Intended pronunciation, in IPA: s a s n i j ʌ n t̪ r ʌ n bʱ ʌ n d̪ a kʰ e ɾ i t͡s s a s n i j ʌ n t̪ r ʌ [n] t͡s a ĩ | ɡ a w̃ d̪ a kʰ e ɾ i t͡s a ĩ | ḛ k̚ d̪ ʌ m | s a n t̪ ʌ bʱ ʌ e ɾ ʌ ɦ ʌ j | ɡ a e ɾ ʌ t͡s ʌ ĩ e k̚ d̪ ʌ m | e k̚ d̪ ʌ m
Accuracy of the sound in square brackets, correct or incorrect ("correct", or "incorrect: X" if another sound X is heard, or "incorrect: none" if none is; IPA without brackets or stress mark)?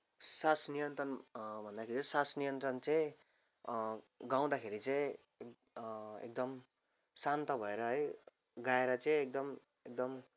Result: correct